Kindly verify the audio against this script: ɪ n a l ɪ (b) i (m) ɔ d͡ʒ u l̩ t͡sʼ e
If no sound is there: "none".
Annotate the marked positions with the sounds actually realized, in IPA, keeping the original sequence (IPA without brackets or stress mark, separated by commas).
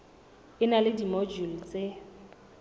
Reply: d, m